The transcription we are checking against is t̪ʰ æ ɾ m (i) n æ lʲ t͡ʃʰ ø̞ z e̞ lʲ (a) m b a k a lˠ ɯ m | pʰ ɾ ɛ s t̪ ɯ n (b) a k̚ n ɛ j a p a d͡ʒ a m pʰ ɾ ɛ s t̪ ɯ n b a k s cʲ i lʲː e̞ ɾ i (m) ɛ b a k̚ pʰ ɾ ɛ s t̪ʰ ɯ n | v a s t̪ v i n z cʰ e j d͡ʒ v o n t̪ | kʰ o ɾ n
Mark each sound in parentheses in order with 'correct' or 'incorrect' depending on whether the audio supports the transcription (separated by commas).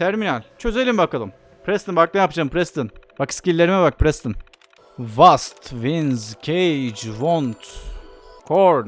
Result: correct, incorrect, correct, correct